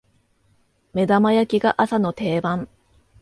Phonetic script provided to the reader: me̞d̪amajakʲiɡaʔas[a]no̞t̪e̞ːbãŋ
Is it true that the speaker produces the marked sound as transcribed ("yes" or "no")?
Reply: yes